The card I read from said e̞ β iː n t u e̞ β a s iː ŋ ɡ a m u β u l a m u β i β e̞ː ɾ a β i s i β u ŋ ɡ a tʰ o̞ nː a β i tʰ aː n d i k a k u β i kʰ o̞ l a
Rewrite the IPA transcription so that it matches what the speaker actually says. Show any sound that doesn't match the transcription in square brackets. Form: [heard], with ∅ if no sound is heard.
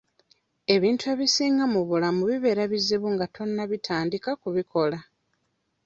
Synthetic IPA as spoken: e̞ β iː n t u e̞ β [i] s iː ŋ ɡ a m u β u l a m u β i β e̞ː ɾ a β i [z] i β u ŋ ɡ a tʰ o̞ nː a β i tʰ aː n d i k a k u β i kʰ o̞ l a